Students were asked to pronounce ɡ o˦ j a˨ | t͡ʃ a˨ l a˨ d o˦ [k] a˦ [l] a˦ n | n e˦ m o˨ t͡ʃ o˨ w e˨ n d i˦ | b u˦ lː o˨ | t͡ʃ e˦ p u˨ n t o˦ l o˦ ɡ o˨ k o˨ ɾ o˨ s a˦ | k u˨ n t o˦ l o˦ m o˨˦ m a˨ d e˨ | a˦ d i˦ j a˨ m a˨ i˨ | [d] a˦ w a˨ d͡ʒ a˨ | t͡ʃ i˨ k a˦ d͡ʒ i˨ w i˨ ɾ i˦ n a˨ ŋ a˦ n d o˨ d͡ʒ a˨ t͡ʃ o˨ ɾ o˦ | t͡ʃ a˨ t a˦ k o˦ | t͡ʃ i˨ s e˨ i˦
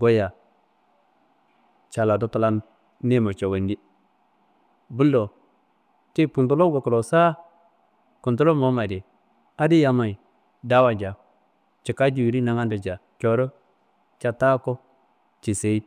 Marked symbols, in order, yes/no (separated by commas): no, yes, yes